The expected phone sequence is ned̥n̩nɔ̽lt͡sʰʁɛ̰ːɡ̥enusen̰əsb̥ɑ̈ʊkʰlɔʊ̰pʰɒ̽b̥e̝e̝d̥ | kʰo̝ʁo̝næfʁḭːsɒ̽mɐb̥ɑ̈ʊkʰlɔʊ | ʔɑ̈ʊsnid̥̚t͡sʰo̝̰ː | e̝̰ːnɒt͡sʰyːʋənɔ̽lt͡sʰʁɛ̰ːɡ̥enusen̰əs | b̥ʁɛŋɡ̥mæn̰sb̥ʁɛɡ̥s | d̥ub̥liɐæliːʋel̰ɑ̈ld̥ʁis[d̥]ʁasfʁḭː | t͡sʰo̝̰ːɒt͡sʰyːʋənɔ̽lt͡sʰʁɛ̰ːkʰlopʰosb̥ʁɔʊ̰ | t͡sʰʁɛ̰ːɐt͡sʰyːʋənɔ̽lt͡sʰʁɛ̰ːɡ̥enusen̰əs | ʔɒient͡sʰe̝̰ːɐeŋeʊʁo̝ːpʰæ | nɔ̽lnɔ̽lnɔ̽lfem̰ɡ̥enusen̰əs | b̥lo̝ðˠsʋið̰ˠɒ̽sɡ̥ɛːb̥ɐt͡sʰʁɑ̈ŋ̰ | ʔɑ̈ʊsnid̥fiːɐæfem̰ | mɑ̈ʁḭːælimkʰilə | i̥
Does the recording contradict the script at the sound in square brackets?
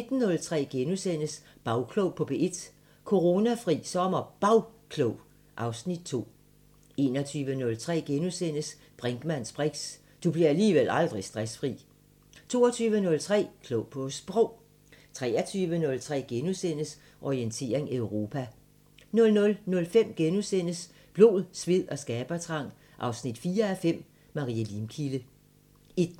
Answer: no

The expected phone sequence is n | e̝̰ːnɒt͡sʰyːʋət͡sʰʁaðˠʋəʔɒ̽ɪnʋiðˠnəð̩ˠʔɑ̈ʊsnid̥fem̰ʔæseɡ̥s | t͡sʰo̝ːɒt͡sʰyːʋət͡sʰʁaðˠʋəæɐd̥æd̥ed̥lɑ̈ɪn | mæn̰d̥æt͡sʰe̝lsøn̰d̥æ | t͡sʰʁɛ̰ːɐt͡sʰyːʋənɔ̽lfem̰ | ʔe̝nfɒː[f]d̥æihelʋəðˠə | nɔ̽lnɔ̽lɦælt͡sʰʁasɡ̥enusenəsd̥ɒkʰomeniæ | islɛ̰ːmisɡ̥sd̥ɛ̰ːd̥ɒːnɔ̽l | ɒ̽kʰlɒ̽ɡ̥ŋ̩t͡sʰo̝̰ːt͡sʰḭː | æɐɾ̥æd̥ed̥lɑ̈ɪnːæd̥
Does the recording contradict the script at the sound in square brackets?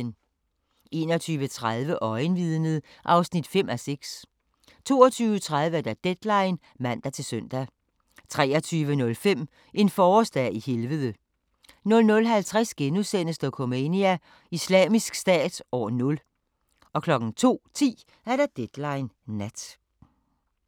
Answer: yes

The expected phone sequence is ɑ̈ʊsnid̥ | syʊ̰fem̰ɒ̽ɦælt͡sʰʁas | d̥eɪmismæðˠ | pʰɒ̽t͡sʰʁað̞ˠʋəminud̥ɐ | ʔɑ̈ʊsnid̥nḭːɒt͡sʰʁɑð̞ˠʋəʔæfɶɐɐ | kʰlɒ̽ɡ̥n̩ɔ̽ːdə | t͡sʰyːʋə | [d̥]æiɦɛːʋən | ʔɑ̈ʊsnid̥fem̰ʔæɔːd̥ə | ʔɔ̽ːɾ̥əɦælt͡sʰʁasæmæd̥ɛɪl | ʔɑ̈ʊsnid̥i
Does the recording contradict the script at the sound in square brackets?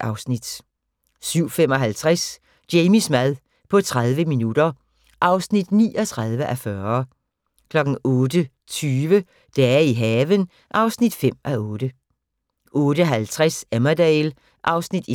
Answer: no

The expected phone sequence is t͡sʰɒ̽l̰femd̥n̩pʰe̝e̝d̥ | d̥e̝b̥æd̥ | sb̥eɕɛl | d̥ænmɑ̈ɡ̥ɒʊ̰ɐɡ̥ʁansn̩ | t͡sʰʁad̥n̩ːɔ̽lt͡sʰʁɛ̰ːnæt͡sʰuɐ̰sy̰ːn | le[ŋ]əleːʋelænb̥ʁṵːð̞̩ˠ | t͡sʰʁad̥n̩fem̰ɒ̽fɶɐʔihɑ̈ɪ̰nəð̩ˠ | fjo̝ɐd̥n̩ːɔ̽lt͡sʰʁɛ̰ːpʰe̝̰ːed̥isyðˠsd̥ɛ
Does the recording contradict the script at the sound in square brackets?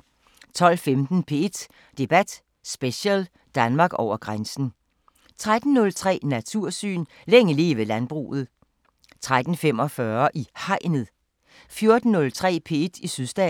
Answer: no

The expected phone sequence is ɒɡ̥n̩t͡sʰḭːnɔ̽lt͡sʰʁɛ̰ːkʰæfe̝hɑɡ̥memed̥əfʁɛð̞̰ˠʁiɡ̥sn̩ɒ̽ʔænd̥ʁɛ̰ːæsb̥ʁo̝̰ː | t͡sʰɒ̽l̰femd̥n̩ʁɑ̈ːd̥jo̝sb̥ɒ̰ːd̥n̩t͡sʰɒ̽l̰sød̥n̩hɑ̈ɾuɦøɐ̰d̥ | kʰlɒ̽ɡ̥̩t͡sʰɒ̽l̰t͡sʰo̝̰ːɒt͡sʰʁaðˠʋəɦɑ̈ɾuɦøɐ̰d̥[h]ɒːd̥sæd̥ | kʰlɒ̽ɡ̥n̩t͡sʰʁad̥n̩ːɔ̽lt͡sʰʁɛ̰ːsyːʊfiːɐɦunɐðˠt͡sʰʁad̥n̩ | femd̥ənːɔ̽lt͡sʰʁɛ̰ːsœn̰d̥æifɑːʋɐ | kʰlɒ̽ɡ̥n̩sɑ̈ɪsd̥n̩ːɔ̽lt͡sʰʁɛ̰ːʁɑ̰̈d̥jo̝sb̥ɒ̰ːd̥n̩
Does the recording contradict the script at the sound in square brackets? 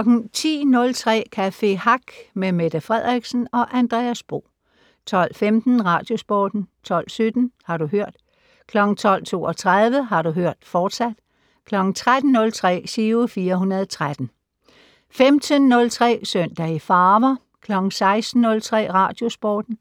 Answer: yes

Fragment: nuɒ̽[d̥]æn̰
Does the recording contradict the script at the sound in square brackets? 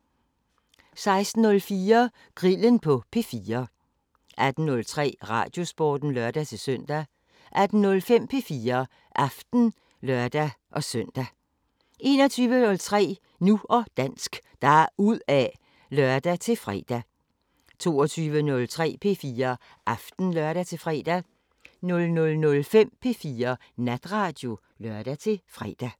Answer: no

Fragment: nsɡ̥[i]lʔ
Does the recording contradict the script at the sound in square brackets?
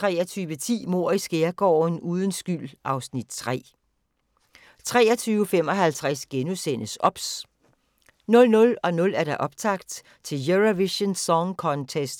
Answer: yes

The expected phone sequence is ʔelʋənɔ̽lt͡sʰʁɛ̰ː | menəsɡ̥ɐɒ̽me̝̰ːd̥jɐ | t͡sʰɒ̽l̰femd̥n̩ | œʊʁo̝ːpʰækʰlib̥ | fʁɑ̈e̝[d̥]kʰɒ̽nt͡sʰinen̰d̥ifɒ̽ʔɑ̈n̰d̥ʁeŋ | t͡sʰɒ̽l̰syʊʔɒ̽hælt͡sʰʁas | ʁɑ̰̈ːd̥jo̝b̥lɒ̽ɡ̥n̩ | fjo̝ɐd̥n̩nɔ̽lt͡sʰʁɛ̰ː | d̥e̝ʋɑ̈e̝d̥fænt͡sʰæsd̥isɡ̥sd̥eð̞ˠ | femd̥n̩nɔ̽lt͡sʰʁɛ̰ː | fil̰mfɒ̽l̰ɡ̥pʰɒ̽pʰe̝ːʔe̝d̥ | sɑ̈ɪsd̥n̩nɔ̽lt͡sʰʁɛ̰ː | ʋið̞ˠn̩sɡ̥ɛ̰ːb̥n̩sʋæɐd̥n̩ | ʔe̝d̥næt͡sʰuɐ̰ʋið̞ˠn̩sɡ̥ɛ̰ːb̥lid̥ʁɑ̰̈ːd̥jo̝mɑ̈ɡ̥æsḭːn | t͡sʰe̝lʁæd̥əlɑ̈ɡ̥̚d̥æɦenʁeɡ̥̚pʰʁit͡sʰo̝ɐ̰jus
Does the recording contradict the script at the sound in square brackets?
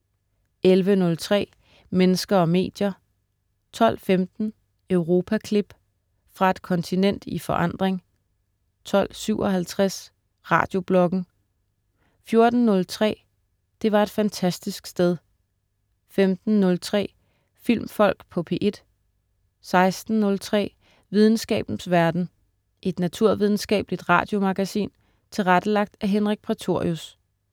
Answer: no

